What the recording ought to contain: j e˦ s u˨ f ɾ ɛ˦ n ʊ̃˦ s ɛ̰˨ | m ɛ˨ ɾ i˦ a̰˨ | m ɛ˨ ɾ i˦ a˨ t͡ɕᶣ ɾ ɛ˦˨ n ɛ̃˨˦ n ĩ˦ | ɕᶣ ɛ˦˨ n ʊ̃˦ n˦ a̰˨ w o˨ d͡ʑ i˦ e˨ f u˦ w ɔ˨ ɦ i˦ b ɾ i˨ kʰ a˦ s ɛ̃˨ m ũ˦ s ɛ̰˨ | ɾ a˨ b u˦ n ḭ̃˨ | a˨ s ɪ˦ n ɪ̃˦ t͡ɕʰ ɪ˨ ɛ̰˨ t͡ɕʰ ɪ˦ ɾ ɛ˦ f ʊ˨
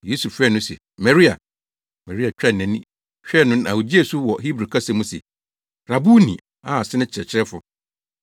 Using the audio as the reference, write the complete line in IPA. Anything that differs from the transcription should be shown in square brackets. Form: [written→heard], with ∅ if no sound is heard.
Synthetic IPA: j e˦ s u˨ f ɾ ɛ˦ n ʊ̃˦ s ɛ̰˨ | m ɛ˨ ɾ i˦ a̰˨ | m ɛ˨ ɾ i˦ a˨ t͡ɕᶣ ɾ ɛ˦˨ n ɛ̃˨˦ n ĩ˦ | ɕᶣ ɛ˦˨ n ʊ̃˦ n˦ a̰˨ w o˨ d͡ʑ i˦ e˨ [f→s] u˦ w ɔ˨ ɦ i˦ b ɾ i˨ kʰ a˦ s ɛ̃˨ m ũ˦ s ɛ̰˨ | ɾ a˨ b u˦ n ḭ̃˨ | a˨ s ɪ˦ n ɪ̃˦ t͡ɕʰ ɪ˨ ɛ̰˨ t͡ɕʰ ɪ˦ ɾ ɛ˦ f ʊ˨